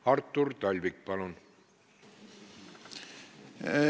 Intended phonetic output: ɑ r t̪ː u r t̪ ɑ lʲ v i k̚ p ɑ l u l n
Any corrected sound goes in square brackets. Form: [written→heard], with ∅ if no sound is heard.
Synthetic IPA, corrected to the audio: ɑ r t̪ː u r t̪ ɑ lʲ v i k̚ p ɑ l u [l→∅] n